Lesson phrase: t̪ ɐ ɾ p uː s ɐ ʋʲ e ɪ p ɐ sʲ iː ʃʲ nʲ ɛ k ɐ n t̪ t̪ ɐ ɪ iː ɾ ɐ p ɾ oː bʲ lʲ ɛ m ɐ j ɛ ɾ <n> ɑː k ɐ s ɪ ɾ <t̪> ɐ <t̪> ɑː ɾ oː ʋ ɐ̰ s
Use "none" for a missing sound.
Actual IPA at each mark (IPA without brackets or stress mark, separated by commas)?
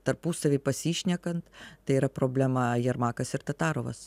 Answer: m, t̪, t̪